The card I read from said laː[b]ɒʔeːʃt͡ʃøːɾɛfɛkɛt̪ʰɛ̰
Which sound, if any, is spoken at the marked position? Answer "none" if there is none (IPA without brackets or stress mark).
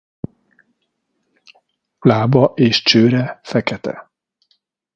b